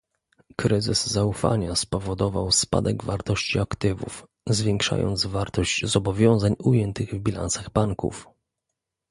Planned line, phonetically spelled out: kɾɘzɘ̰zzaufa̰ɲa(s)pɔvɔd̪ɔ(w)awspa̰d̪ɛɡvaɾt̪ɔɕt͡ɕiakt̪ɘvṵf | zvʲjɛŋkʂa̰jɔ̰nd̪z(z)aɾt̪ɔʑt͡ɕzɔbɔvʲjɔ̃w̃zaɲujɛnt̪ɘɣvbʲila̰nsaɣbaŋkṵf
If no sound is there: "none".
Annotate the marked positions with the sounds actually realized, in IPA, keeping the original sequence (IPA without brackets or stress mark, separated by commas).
s, v, v